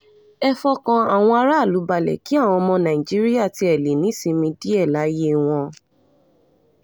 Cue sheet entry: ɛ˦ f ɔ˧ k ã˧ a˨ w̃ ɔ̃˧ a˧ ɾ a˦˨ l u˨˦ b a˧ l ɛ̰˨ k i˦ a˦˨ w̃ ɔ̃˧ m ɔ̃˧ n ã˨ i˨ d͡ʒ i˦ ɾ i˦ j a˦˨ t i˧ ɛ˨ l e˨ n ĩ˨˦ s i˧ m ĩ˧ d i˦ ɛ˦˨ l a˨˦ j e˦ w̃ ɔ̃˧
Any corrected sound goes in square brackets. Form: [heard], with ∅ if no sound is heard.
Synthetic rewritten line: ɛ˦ f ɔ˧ k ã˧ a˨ w̃ ɔ̃˧ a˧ ɾ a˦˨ l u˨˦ b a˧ l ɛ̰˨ k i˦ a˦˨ w̃ ɔ̃˧ m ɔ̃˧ n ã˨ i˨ d͡ʒ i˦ ɾ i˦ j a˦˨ t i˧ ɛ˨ l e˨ n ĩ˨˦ s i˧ m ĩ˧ d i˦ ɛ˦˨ l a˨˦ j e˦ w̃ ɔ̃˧